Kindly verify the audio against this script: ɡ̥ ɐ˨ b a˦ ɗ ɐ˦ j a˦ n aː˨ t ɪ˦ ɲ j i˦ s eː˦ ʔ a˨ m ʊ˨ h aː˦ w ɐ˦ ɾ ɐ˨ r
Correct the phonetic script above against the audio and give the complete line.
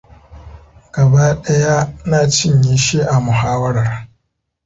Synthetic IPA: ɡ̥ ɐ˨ b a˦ ɗ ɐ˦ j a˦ n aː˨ t͡ʃ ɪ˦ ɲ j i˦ ʃ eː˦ ʔ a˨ m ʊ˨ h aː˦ w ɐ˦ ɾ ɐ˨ r